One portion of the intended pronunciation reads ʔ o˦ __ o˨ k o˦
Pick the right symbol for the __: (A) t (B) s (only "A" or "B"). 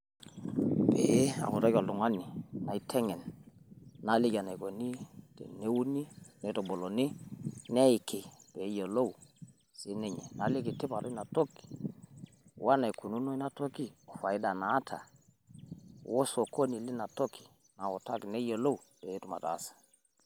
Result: B